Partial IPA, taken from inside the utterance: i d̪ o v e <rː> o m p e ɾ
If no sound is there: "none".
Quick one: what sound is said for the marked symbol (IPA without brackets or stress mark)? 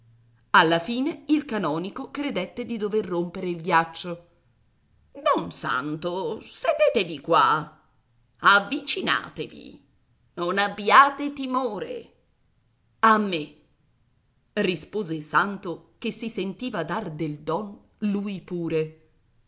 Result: rː